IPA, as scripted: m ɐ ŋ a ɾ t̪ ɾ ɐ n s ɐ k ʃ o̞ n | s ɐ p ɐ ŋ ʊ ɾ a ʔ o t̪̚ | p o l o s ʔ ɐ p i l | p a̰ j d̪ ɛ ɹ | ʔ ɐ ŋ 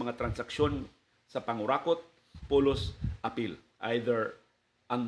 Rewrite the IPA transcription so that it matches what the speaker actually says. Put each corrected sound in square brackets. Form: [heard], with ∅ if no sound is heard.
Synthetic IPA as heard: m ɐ ŋ a [∅] t̪ ɾ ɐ n s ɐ k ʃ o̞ n | s ɐ p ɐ ŋ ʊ ɾ a [k] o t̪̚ | p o l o s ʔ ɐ p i l | [ʔ] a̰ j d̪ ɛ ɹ | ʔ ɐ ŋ